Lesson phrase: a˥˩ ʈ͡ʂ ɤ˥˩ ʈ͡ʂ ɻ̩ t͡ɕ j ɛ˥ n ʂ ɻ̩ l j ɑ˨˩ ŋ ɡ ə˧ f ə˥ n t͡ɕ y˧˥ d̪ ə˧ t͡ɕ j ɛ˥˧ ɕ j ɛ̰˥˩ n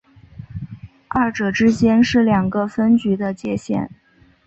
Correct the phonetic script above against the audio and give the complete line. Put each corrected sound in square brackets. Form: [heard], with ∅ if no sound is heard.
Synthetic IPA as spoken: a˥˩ ʈ͡ʂ [ɤ˨˩] ʈ͡ʂ ɻ̩ t͡ɕ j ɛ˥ n ʂ ɻ̩ l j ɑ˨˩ ŋ ɡ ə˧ f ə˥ n t͡ɕ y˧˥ d̪ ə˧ t͡ɕ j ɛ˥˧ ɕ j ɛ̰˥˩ n